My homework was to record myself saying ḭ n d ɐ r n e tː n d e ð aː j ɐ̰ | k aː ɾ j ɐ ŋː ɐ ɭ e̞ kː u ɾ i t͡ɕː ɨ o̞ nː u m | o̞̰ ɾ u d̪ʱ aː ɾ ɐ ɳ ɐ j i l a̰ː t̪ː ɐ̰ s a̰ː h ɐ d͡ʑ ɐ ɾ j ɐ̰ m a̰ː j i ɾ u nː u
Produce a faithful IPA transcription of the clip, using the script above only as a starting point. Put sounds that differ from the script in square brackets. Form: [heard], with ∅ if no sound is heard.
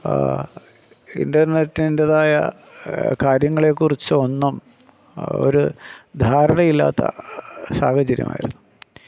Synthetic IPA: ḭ n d ɐ r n e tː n d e ð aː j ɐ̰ | k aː ɾ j ɐ ŋː ɐ ɭ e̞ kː u [r] i t͡ɕː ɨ o̞ nː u m | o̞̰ ɾ u d̪ʱ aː ɾ ɐ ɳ ɐ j i [lː] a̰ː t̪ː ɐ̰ s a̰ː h ɐ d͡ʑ ɐ ɾ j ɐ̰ m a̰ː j i ɾ u nː u